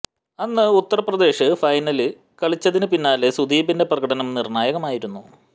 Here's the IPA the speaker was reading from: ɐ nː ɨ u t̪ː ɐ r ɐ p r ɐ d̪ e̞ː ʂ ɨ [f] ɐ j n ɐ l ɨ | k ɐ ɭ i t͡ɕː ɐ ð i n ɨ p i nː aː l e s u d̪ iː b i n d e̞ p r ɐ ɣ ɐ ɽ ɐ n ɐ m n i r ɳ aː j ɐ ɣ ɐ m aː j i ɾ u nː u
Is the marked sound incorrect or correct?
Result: correct